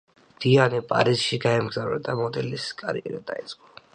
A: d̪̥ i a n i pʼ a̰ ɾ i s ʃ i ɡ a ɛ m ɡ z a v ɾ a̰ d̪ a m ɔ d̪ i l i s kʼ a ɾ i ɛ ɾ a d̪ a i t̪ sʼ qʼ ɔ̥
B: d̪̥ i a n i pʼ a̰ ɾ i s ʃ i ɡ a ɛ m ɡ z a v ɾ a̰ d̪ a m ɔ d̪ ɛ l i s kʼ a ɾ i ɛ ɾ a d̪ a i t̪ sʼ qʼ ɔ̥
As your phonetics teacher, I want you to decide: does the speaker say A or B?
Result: B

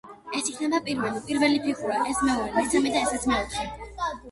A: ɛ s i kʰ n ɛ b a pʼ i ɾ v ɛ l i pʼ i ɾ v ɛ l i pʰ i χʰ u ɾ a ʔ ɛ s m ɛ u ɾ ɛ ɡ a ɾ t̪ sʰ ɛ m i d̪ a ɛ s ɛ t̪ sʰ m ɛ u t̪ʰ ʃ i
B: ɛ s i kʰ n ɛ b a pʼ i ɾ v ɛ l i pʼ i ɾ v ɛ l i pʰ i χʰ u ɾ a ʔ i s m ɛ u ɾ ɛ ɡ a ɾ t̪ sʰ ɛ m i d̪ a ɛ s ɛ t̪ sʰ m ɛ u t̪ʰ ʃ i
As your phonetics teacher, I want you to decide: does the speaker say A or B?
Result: A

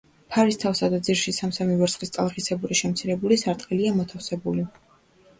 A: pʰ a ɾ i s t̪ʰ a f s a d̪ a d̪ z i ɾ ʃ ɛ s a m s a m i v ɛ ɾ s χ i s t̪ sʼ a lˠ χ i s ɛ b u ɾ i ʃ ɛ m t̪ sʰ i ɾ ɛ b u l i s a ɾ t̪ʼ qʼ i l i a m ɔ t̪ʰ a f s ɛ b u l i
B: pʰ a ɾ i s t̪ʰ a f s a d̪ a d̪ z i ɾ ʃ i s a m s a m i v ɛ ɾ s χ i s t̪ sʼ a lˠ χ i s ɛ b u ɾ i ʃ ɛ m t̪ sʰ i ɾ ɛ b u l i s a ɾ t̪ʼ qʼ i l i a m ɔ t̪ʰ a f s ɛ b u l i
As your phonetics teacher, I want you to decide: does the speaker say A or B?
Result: B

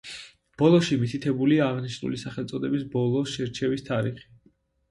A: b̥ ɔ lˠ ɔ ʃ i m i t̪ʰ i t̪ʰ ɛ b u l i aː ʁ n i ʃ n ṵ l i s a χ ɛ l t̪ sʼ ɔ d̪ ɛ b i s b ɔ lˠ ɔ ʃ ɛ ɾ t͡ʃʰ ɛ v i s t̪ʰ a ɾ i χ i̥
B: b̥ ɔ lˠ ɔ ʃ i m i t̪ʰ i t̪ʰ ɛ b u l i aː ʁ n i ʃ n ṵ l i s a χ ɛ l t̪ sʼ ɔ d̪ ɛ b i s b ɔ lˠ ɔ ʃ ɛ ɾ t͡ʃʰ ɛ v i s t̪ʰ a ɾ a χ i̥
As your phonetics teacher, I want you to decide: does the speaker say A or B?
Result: A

